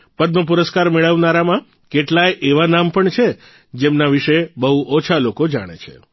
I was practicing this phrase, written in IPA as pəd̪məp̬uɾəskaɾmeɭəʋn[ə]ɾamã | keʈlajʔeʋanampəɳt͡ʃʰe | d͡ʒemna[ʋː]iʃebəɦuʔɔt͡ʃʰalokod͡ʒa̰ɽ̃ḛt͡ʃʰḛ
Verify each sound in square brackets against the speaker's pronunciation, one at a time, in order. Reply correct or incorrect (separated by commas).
incorrect, incorrect